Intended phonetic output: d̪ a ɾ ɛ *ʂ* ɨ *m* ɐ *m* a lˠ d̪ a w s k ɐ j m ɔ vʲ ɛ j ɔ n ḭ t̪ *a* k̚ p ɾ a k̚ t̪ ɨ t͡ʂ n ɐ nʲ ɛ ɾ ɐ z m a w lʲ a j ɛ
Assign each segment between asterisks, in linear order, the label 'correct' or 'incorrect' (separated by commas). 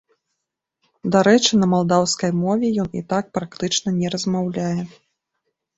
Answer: incorrect, incorrect, correct, correct